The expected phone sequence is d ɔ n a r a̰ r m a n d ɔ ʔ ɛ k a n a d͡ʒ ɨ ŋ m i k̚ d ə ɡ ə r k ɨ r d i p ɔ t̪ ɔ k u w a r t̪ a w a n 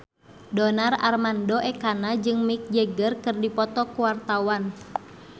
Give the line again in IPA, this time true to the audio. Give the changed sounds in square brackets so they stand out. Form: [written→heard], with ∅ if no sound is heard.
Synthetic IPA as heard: d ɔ n a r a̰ r m a n d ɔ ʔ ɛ k a n a d͡ʒ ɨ ŋ m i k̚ [d→d͡ʒ] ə ɡ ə r k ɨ r d i p ɔ t̪ ɔ k u w a r t̪ a w a n